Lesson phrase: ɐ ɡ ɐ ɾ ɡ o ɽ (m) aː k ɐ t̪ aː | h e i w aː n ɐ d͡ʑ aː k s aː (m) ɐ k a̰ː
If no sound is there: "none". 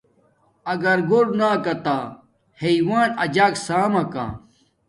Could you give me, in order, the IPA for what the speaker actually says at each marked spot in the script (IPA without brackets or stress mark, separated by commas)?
n, m